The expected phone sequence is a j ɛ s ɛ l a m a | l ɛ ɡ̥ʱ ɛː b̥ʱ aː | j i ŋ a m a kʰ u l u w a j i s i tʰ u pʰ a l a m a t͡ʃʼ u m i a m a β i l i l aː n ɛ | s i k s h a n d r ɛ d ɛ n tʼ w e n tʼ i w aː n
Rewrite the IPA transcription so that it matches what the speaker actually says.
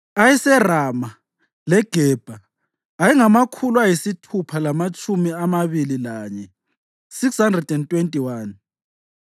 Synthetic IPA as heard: a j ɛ s ɛ r a m a | l ɛ ɡ̥ʱ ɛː b̥ʱ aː | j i ŋ a m a kʰ u l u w a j i s i tʰ u pʰ a l a m a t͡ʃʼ u m i a m a β i l i l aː ɲ ɛ | s i k s h a n d r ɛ d ɛ n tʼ w e n tʼ i w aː n